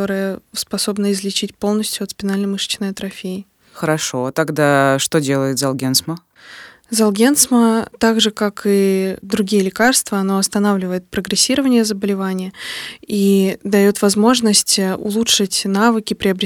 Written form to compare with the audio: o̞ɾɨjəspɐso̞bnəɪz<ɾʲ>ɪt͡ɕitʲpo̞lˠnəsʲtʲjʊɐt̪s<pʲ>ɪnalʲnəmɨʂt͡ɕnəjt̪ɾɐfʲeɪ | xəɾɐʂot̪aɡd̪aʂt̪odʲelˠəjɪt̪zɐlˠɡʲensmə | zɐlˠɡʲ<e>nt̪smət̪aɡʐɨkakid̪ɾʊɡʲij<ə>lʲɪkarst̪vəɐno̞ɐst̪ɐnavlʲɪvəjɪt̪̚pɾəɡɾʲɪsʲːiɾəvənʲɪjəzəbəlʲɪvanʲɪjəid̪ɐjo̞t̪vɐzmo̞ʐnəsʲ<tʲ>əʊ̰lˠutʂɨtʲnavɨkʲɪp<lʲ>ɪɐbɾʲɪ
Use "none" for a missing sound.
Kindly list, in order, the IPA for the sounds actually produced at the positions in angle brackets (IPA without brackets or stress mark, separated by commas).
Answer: lʲ, pʲ, e, ə, tʲ, ɾʲ